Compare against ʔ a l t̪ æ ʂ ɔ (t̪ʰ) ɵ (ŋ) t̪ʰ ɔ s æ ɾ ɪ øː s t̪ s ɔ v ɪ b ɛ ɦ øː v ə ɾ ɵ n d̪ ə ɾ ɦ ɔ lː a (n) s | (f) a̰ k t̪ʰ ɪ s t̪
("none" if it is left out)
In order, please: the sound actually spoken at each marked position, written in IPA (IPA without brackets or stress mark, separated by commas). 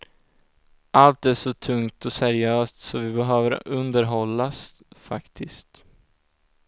t̪ʰ, ŋ, none, f